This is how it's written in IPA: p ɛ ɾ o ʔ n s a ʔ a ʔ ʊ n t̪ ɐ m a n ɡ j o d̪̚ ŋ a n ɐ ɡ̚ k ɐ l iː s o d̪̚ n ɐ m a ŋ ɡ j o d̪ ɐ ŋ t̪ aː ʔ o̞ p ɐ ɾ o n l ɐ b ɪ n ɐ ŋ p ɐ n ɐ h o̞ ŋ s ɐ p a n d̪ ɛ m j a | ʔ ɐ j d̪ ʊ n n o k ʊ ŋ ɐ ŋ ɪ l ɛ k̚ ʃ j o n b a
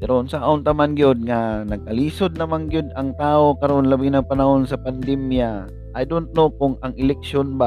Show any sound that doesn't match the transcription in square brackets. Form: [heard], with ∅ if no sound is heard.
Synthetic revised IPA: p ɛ ɾ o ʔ n s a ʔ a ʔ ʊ n t̪ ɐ m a n ɡ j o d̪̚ ŋ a n ɐ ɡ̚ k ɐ l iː s o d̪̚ n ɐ m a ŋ ɡ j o d̪ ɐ ŋ t̪ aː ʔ o̞ [k] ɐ ɾ o n l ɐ b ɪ n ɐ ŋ p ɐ n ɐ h o̞ [n] s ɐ p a n d̪ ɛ m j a | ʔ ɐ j d̪ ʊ n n o k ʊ ŋ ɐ ŋ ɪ l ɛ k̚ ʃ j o n b a